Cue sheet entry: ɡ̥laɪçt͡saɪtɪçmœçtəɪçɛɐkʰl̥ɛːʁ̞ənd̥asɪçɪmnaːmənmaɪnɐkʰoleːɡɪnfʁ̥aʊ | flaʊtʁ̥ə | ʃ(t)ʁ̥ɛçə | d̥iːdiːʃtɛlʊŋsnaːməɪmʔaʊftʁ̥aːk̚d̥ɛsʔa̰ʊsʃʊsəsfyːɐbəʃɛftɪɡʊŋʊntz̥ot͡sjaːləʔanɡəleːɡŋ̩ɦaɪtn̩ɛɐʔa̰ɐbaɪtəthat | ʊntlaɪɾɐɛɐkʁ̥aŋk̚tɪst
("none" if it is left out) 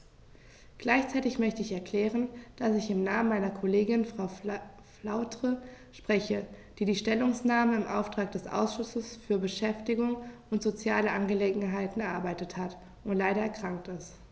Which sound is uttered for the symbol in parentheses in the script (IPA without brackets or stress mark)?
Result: p